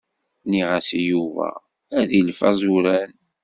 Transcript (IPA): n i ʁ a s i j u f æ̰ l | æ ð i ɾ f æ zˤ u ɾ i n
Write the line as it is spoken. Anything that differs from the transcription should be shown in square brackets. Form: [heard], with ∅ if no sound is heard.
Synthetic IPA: n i ʁ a s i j u [v] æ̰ [∅] | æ ð i [l] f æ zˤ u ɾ [æ] n